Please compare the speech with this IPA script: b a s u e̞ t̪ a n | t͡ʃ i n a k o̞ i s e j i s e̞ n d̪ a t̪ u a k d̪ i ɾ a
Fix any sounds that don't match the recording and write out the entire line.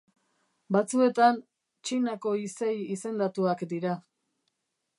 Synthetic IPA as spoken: b a t͡s u e̞ t̪ a n | t͡ʃ i n a k o̞ i s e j i s e̞ n d̪ a t̪ u a k d̪ i ɾ a